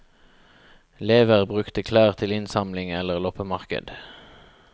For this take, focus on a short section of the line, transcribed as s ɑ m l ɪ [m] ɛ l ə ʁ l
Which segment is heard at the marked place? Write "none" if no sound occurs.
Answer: ŋ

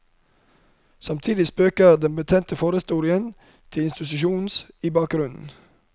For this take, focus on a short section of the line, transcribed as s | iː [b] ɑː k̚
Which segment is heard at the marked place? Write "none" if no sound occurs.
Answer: b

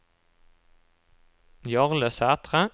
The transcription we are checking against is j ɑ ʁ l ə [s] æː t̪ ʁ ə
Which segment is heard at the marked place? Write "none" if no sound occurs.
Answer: s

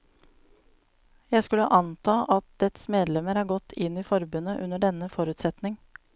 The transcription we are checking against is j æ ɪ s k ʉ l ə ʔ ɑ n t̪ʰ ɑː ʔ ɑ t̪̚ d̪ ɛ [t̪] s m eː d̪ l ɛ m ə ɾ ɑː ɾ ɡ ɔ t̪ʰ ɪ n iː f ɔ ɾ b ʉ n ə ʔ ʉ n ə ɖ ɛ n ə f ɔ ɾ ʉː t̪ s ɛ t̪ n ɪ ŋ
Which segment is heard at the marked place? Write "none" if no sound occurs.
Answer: t̪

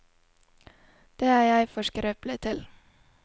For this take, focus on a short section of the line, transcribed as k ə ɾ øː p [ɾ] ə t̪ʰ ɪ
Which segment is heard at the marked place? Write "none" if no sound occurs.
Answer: l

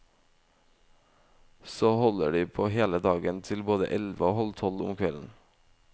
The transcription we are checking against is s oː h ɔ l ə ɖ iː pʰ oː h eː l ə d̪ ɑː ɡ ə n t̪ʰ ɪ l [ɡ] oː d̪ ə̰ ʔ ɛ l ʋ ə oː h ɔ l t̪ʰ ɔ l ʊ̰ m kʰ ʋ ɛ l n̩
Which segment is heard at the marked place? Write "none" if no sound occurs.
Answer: b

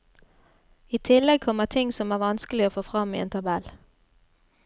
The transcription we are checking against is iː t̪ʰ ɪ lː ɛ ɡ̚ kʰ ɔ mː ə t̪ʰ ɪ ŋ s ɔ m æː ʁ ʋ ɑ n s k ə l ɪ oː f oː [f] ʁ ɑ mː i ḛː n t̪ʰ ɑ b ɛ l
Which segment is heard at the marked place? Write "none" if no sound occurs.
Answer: f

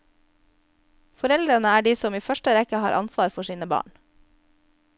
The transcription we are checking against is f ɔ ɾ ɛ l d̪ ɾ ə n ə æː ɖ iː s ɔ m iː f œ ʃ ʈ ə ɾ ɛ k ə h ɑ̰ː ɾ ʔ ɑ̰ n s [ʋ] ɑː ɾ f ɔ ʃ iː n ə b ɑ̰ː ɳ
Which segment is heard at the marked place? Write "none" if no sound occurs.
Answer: ʋ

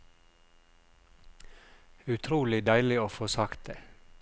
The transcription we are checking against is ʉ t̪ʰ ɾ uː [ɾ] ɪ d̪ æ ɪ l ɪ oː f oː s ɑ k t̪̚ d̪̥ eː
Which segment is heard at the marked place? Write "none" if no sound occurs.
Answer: l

